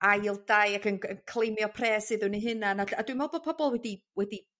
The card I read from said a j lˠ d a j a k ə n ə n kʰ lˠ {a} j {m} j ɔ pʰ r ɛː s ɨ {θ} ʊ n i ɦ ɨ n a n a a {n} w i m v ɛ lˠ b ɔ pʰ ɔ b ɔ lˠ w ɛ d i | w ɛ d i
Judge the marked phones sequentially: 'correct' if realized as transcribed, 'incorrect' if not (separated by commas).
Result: incorrect, correct, incorrect, incorrect